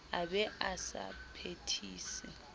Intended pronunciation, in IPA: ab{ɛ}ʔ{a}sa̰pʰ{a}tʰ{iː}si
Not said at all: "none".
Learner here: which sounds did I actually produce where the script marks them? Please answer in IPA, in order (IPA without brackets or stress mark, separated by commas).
ɛ, a, e, iː